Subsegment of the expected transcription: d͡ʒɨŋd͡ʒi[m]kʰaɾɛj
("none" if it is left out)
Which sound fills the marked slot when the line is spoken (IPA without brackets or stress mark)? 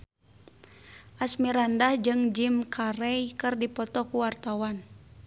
m